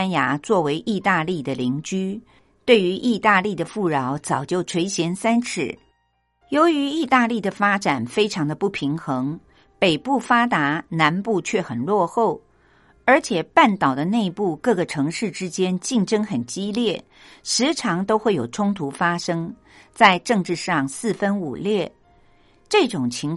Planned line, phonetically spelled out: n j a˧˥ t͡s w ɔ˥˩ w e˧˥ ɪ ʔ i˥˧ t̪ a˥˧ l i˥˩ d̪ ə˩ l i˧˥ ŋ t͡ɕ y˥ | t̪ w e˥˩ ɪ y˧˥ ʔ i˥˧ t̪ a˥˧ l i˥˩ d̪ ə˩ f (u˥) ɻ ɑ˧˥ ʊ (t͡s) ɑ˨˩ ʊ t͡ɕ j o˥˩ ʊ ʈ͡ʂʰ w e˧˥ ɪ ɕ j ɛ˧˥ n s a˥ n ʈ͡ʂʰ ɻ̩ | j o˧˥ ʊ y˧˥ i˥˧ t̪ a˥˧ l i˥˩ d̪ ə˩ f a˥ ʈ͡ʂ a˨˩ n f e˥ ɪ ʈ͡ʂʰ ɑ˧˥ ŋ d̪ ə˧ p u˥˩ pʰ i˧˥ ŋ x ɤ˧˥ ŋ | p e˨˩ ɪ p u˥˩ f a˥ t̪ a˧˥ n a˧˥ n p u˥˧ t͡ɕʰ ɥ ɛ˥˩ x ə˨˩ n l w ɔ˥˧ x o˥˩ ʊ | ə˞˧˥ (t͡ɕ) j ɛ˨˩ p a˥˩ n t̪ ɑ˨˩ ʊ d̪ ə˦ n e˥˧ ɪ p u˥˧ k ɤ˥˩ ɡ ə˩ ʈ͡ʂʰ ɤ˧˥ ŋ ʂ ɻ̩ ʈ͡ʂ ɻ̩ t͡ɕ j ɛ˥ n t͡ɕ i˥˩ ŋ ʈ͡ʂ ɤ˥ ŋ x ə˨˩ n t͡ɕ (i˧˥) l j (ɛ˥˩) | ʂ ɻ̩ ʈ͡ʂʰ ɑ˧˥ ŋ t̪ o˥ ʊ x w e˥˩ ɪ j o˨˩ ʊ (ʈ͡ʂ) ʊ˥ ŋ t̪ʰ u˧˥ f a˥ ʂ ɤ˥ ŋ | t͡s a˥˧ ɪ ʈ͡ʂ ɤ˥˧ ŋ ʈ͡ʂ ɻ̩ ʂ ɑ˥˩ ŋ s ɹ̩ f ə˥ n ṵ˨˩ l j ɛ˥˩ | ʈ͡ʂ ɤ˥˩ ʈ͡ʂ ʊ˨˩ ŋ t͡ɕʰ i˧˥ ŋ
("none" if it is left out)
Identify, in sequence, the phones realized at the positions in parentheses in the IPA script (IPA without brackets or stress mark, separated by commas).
u˥˩, t͡s, t͡ɕʰ, i˥, ɛ˥˩, ʈ͡ʂʰ